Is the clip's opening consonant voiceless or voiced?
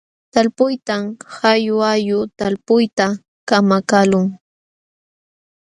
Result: voiceless